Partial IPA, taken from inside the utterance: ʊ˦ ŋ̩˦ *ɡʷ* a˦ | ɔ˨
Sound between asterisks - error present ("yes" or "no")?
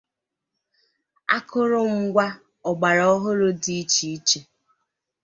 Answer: no